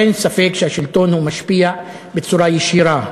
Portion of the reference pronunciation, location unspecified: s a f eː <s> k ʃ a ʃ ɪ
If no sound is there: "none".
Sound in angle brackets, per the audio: none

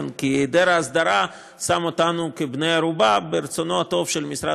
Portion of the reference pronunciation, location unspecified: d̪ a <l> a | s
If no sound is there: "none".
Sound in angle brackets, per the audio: ɾ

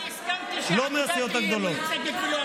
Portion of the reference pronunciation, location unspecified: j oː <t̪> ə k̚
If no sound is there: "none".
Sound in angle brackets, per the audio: t̪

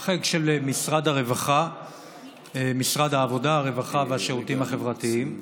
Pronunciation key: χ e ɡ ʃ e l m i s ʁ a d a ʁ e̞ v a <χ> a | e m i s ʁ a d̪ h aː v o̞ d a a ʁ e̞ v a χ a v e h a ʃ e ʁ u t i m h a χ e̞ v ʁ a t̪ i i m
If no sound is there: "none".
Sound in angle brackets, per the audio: χ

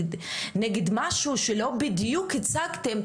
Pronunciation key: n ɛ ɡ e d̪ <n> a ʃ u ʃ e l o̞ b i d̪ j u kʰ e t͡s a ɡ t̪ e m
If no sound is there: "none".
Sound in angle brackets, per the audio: m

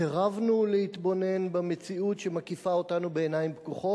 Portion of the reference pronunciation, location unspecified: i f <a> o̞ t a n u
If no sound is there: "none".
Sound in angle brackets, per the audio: a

